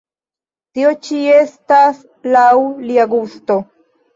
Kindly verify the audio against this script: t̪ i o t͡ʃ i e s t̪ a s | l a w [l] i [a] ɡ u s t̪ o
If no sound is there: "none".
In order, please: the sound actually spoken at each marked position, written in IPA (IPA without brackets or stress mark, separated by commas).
l, a